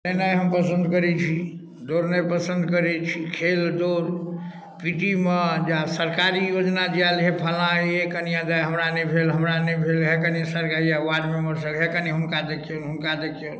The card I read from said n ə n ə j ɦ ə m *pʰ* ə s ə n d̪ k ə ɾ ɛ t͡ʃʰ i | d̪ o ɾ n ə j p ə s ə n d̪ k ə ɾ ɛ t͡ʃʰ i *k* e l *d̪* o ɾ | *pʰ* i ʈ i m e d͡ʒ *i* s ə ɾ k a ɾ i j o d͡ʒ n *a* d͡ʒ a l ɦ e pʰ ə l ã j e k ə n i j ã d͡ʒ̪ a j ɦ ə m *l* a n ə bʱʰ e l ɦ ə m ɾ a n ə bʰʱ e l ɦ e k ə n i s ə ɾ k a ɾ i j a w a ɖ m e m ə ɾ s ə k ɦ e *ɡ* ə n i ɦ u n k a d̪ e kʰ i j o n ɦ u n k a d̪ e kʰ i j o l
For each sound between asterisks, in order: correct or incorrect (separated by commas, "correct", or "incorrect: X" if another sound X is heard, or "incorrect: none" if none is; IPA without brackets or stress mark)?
incorrect: p, incorrect: kʰ, correct, incorrect: p, incorrect: a, correct, incorrect: ɾ, incorrect: k